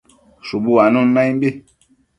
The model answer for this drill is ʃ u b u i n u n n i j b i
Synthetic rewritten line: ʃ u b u a n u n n a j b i